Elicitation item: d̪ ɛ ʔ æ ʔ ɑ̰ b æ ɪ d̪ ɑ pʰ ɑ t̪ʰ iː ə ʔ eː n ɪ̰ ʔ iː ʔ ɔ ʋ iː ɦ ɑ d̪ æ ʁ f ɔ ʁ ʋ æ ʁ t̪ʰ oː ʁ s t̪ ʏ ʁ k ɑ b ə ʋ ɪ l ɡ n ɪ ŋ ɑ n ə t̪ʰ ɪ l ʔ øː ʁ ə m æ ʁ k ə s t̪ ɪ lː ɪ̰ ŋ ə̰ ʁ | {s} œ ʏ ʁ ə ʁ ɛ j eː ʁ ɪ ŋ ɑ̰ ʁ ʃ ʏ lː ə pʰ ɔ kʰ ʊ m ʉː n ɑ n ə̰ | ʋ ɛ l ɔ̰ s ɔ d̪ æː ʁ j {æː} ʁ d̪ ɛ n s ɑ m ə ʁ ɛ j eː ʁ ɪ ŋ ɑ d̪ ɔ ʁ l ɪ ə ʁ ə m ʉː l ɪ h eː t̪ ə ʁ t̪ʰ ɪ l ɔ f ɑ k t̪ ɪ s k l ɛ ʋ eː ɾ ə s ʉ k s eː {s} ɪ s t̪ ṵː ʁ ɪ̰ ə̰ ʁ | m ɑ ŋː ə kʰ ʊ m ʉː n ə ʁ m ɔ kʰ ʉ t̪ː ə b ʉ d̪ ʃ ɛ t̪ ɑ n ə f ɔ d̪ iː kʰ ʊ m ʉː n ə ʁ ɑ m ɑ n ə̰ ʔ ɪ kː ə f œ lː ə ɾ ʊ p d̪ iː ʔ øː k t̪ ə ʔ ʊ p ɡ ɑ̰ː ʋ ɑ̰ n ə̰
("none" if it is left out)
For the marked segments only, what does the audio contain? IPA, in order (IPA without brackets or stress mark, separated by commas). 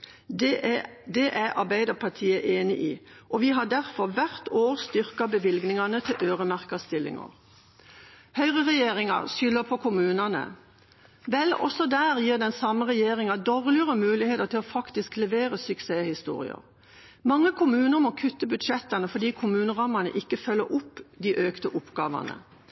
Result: h, iː, h